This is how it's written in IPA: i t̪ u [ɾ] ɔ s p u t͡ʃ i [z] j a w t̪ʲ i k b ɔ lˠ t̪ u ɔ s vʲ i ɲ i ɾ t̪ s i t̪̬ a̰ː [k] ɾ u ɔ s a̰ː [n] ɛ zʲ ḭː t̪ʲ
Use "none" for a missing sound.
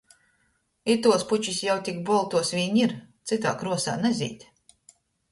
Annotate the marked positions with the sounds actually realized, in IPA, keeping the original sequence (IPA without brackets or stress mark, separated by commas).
none, s, k, n